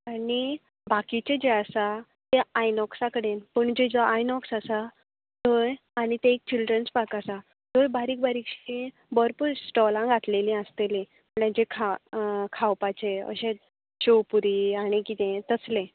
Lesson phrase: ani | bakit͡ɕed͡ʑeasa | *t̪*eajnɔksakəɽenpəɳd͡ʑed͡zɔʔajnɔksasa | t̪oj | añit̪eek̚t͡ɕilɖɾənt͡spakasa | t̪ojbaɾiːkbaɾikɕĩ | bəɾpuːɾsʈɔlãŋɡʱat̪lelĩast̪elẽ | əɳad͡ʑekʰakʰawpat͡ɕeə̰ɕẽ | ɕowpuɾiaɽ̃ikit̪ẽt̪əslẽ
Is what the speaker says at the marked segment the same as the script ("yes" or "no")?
yes